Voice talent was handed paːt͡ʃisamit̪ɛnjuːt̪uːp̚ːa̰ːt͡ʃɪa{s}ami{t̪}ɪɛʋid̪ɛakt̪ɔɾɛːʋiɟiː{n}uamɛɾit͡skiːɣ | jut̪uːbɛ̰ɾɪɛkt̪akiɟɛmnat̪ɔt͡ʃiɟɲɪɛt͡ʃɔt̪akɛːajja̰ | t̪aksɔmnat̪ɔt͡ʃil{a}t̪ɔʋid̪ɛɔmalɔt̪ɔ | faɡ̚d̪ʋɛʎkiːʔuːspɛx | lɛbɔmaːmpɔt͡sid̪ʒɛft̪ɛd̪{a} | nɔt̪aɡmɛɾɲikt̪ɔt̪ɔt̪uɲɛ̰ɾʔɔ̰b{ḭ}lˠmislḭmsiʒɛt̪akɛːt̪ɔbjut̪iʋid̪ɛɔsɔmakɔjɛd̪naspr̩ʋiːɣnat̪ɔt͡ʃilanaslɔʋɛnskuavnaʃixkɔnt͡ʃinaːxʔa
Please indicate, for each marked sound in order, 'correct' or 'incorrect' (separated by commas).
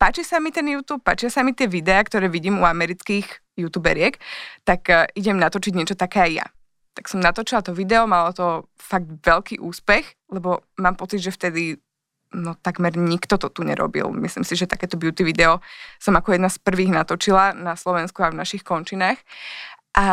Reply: correct, correct, incorrect, correct, incorrect, correct